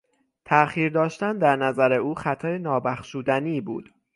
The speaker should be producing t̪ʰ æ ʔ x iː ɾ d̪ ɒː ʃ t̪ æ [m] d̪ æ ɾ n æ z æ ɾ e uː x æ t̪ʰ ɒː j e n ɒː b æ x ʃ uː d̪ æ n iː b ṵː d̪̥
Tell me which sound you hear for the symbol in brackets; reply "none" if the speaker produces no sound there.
n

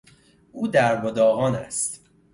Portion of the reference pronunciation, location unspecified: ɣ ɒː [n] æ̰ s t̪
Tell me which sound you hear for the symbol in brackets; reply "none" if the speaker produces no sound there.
n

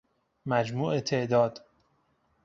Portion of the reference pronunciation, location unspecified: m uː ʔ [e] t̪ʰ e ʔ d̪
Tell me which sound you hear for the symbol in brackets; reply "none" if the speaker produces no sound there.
e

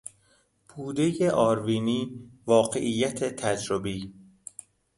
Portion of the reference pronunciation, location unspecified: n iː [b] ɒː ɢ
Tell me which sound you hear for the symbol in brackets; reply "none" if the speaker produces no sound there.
v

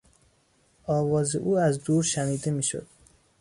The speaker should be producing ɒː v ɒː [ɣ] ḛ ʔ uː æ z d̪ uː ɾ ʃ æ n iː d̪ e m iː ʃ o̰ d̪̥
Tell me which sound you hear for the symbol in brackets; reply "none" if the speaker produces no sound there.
z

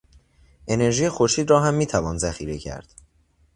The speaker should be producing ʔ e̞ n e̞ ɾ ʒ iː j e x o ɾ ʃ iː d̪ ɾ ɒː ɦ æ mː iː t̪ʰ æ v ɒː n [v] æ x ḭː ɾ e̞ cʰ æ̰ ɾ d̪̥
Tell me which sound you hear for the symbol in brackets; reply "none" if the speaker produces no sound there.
z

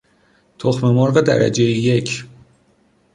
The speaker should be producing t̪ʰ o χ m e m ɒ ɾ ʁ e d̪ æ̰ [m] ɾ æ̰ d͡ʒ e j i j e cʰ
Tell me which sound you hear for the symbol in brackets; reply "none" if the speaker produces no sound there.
none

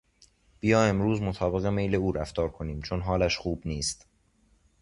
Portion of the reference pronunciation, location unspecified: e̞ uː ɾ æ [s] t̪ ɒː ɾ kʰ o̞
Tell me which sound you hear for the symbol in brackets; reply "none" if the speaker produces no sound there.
f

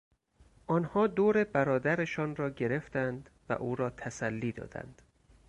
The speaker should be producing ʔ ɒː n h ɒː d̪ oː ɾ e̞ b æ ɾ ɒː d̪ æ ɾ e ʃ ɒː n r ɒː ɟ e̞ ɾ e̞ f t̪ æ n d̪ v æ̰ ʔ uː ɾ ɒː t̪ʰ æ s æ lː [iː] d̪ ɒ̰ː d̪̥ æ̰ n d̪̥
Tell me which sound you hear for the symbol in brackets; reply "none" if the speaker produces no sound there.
iː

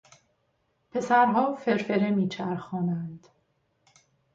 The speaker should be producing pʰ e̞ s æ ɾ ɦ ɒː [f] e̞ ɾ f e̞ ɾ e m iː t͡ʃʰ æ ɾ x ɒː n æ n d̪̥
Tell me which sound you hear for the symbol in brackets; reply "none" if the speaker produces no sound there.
f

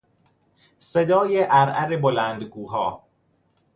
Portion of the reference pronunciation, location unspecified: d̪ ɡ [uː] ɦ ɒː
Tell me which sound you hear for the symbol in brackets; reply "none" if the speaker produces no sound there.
uː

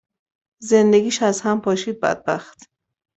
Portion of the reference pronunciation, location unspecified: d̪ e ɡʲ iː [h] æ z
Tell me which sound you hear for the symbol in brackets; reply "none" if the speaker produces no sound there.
ʃ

